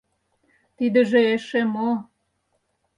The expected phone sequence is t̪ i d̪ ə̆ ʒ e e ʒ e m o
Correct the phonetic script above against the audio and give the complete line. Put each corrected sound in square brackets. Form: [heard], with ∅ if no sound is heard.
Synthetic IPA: t̪ i d̪ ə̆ ʒ e e [ʃ] e m o